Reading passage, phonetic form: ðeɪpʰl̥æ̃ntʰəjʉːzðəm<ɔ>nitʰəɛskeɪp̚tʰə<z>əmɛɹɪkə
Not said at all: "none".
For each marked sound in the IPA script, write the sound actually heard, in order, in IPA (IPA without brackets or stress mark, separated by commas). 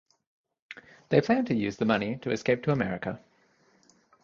ʌ, none